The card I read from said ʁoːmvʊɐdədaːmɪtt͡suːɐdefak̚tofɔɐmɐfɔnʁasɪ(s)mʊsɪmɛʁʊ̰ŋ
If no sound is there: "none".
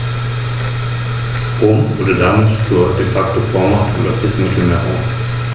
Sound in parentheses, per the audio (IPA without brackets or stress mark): s